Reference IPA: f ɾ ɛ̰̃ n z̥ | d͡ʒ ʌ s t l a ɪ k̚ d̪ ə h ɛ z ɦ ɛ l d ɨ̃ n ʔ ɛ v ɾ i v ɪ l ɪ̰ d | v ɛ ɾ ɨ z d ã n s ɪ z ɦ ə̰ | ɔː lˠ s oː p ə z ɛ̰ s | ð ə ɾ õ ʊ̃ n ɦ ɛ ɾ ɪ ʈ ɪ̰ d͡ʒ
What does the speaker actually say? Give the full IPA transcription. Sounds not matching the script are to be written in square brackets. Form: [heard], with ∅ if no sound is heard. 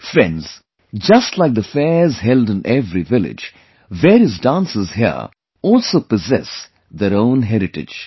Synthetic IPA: f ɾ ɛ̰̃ n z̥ | d͡ʒ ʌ s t l a ɪ k̚ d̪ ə [f] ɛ z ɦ ɛ l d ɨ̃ n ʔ ɛ v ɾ i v ɪ l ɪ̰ [d͡ʒ] | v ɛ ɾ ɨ z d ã n s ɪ z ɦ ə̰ | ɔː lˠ s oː p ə z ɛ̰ s | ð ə ɾ õ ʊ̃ n ɦ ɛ ɾ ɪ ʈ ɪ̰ d͡ʒ